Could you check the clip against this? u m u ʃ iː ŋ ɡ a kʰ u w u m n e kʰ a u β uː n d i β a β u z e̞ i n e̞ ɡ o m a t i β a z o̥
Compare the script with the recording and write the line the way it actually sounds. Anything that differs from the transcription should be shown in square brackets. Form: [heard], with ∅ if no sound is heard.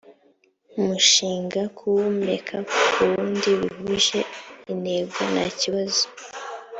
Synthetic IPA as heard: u m u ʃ iː ŋ ɡ a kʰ u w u m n e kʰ a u β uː n d i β [i] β u [ʒ] e̞ i n e̞ ɡ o [n] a [c] i β a z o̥